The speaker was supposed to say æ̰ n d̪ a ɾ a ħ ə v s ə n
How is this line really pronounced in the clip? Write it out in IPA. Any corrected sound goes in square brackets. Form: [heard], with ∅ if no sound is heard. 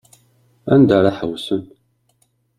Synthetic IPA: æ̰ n d̪ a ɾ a ħ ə [w] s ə n